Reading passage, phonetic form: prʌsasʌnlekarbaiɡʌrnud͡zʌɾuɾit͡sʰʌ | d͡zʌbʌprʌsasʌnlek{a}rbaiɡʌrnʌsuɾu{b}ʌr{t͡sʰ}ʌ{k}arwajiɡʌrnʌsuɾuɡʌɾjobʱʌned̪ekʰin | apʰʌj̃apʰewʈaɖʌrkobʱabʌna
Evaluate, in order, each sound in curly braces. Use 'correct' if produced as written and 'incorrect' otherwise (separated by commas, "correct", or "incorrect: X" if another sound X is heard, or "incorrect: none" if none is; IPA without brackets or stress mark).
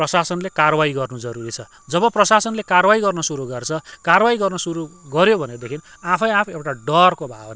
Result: correct, incorrect: ɡ, correct, correct